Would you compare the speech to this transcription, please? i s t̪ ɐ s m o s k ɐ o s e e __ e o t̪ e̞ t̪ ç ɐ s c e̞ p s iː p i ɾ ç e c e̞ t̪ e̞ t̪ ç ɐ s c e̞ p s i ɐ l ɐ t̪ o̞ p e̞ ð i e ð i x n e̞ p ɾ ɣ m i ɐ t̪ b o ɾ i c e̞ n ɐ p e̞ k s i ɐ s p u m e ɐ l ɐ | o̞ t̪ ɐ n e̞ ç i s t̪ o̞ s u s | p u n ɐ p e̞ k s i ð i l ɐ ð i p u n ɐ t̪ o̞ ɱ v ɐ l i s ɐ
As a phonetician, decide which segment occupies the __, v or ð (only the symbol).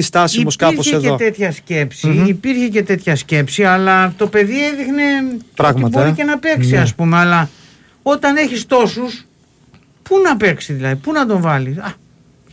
ð